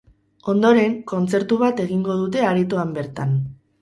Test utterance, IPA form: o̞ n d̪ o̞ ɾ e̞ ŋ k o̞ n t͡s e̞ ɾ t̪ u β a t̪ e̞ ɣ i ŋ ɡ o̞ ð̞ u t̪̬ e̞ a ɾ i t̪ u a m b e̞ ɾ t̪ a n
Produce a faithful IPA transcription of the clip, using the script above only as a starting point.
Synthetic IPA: o̞ n d̪ o̞ ɾ e̞ ŋ k o̞ n t͡s e̞ ɾ t̪ u β a t̪ e̞ ɣ i ŋ ɡ o̞ ð̞ u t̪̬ e̞ a ɾ i t̪ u a m b e̞ ɾ t̪ a n